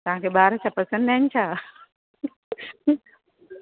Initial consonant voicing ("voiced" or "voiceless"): voiceless